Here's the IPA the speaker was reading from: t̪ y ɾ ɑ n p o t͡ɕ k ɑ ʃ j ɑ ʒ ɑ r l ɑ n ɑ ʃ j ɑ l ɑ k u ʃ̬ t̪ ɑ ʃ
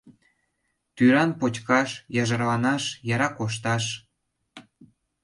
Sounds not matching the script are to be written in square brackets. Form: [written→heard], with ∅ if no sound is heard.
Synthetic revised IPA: t̪ y ɾ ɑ n p o t͡ɕ k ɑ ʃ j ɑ ʒ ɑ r l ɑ n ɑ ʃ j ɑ [l→ɾ] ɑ k [u→o] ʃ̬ t̪ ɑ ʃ